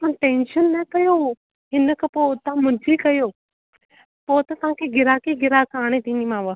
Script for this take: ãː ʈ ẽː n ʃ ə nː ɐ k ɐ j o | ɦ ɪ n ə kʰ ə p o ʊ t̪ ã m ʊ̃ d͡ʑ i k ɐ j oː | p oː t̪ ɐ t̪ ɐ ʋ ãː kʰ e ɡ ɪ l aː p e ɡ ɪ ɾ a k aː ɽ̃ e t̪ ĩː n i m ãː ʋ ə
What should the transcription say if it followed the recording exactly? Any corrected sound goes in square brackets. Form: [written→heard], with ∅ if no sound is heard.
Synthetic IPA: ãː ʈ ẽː n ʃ ə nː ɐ k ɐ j o | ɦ ɪ n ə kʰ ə p o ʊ t̪ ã m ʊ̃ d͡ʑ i k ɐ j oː | p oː t̪ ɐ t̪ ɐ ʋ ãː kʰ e ɡ ɪ [l→ɾ] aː [p→k] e ɡ ɪ ɾ a k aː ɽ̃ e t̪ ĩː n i m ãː ʋ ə